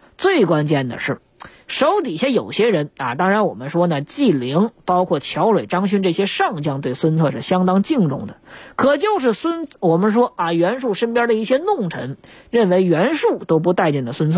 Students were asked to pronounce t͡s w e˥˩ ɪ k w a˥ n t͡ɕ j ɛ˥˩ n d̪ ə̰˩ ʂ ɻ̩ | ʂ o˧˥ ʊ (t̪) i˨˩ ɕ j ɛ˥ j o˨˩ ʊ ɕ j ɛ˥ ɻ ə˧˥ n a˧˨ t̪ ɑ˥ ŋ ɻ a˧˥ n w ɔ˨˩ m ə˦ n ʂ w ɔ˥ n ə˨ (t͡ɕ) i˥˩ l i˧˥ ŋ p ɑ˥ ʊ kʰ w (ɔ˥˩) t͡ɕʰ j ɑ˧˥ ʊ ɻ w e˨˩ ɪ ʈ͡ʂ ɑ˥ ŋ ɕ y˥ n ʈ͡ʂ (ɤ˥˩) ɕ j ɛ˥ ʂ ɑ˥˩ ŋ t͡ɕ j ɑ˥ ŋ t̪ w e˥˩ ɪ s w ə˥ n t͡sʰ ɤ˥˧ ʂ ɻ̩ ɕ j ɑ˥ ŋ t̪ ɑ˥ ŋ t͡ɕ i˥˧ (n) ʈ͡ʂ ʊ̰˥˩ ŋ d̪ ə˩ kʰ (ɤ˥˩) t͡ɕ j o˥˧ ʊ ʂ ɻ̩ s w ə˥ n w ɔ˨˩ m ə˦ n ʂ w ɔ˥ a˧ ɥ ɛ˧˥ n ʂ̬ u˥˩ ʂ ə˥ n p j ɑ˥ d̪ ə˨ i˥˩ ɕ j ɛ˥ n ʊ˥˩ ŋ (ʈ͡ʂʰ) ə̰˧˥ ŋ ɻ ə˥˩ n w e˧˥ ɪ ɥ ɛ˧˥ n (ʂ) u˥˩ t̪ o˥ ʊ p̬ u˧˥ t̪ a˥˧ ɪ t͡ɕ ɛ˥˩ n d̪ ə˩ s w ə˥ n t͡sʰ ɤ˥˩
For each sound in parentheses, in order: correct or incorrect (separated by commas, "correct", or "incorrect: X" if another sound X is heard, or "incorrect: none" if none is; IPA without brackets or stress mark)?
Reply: correct, correct, correct, correct, incorrect: ŋ, incorrect: ɤ˨˩, correct, correct